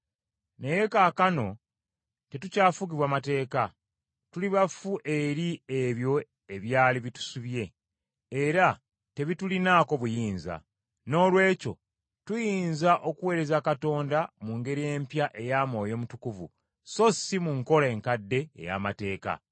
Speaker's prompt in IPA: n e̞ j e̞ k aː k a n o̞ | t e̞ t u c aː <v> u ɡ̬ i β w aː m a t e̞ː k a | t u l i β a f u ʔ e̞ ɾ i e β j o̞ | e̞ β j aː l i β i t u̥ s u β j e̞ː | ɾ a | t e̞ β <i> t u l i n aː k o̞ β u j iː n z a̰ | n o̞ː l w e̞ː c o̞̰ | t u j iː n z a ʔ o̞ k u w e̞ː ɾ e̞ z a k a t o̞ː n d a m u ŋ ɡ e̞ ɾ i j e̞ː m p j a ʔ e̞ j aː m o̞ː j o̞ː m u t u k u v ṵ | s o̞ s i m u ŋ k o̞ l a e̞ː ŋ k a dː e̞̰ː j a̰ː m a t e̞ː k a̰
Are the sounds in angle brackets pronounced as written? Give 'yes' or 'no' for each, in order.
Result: no, yes

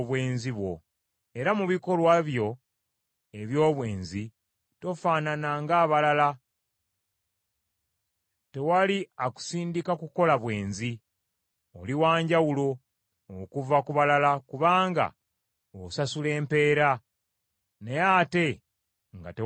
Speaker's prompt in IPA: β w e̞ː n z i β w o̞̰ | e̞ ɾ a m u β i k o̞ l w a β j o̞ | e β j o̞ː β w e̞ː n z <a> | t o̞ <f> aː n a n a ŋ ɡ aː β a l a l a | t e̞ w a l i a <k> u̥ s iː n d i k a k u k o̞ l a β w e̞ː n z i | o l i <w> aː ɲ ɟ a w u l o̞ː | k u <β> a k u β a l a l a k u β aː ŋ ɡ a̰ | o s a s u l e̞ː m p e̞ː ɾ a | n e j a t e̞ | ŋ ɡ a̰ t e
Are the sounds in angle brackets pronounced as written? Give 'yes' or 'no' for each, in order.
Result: no, yes, yes, yes, no

